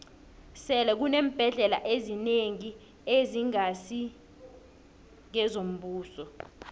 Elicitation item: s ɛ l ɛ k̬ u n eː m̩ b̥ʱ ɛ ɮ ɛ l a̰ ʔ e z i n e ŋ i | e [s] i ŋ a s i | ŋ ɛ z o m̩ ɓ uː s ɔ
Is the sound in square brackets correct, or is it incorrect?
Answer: incorrect